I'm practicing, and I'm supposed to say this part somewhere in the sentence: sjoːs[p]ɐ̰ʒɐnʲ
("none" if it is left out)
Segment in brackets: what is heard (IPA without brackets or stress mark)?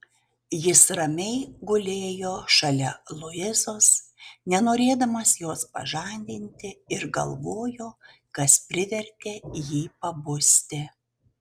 p